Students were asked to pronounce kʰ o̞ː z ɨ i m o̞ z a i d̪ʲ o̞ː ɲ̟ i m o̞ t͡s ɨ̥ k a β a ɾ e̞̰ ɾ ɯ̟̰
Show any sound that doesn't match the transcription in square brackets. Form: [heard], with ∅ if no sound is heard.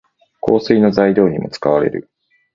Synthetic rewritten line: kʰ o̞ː [s] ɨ i [n] o̞ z a i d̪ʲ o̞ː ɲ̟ i m o̞ t͡s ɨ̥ k a β a ɾ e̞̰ ɾ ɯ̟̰

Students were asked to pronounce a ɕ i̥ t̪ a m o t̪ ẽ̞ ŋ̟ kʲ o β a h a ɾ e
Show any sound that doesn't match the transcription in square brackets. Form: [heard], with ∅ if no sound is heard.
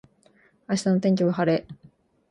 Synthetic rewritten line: a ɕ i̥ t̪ a [n] o t̪ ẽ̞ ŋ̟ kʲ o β a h a ɾ e

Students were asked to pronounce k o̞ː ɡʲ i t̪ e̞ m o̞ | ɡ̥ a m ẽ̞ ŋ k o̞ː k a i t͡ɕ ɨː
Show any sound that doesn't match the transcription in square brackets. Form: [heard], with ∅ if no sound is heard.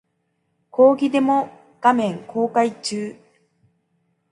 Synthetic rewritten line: k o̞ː ɡʲ i [d̪] e̞ m o̞ | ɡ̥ a m ẽ̞ ŋ k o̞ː k a i t͡ɕ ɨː

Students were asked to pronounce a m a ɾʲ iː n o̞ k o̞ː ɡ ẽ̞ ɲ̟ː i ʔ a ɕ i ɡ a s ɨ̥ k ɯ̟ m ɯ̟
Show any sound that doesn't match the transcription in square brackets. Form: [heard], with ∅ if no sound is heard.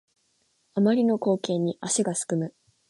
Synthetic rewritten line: a m a ɾʲ [i] n o̞ k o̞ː [k] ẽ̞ ɲ̟ː i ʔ a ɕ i ɡ a s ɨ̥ k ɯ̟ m ɯ̟

